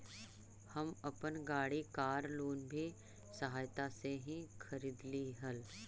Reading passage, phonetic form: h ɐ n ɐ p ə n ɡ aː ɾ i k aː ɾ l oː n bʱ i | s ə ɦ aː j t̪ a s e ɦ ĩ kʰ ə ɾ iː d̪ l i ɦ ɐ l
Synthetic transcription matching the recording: h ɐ m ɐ p ə n ɡ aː ɽ i k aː ɾ l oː n bʱ i | s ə ɦ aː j t̪ a s e ɦ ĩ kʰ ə ɾ iː d̪ l i ɦ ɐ l